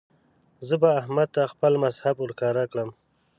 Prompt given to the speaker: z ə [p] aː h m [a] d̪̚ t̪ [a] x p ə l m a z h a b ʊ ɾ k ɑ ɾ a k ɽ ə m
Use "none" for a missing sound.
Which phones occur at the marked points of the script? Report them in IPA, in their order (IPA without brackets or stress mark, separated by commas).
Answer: b, a, a